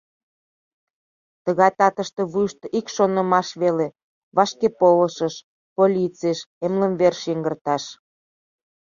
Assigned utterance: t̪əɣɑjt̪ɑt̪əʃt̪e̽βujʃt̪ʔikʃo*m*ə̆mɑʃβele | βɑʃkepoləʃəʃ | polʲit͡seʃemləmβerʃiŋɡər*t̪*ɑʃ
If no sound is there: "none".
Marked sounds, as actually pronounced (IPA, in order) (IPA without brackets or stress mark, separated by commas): n, t̪